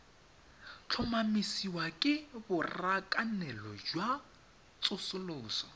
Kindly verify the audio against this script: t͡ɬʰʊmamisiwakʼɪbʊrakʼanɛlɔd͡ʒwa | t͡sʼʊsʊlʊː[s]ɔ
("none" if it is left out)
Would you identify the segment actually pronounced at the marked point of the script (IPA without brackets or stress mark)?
s